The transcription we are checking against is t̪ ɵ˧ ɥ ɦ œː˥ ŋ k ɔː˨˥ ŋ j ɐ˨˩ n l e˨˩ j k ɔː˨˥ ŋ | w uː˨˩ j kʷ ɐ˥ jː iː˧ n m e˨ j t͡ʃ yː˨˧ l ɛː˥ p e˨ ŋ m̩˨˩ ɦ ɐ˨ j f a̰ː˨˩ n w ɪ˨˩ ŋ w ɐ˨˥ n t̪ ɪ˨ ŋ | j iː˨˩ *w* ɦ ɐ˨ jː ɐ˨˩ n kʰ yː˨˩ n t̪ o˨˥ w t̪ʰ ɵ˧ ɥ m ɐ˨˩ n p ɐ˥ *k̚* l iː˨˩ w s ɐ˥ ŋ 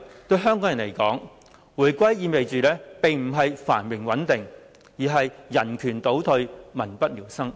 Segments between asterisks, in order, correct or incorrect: incorrect: none, incorrect: t̚

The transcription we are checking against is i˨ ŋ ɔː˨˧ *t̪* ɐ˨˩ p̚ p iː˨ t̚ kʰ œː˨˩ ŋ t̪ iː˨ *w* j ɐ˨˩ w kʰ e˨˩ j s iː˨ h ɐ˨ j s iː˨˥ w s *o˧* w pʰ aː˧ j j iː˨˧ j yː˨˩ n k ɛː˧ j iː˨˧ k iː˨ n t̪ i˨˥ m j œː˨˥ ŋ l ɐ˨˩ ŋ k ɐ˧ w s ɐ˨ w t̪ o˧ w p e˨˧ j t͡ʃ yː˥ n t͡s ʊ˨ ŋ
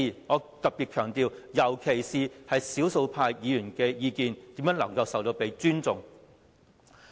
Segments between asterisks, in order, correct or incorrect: correct, correct, correct

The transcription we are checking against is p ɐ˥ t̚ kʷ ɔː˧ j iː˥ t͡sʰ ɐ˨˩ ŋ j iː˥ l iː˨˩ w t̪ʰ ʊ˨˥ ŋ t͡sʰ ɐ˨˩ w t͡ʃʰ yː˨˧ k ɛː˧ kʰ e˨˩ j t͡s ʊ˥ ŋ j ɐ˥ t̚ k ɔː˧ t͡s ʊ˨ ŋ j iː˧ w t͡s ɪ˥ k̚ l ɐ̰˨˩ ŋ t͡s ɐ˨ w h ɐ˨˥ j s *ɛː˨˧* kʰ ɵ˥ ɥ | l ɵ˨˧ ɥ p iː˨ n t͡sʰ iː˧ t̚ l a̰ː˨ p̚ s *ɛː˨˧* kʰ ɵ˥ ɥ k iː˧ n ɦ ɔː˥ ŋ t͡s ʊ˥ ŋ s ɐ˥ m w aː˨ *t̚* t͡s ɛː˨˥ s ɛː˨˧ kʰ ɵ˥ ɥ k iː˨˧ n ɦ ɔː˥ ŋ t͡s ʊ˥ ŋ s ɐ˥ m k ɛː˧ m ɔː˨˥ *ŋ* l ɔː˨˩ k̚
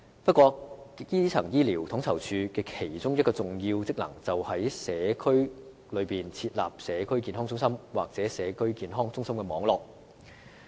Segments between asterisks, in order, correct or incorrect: correct, correct, incorrect: k̚, correct

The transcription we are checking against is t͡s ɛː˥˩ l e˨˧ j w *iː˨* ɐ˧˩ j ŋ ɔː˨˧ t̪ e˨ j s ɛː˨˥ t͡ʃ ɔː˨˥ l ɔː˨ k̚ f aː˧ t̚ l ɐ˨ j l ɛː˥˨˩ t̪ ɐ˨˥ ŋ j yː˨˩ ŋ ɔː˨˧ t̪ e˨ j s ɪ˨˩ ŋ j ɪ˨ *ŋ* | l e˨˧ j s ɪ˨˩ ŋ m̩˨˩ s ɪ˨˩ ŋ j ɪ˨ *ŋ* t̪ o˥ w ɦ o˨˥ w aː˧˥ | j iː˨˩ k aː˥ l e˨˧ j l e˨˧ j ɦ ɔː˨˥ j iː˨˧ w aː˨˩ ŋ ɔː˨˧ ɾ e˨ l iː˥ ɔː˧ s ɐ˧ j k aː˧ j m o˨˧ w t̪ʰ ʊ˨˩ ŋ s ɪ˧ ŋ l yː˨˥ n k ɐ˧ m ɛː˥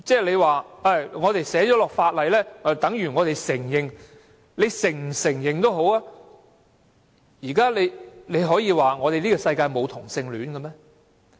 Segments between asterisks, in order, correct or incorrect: incorrect: aː˨, correct, correct

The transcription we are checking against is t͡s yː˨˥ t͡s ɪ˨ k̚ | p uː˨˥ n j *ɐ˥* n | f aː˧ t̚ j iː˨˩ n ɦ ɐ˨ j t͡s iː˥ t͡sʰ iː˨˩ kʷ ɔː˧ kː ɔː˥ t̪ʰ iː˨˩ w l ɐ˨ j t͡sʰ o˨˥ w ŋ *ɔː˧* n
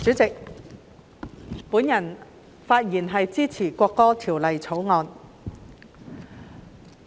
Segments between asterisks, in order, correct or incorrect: incorrect: ɐ˨˩, correct

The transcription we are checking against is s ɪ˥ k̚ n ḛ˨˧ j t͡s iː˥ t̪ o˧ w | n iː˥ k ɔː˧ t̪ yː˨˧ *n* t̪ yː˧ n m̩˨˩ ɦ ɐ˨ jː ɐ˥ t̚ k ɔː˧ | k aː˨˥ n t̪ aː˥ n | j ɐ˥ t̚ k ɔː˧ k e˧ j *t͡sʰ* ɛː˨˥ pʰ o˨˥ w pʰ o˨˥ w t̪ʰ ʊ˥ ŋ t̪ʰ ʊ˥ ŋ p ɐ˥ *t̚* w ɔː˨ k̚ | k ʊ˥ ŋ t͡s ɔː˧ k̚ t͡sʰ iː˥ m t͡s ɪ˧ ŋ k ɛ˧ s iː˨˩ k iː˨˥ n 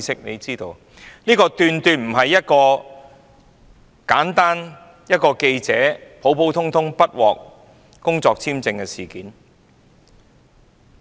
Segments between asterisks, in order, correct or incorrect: correct, incorrect: t͡s, correct

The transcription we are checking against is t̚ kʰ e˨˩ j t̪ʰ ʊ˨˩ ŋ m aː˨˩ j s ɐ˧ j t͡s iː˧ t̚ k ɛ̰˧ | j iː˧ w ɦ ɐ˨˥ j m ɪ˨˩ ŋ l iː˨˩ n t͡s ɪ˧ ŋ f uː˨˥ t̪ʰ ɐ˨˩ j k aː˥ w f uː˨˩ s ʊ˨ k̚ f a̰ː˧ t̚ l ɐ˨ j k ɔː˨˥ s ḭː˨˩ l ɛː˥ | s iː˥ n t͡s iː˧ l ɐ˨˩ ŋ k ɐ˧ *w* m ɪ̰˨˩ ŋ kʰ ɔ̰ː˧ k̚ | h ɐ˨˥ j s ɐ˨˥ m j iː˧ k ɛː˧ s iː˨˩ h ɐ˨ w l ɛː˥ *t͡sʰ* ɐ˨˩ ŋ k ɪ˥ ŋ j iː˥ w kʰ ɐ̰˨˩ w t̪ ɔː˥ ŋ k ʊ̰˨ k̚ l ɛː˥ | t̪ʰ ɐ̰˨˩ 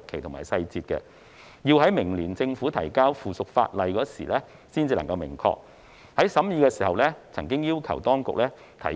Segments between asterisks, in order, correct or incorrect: correct, correct

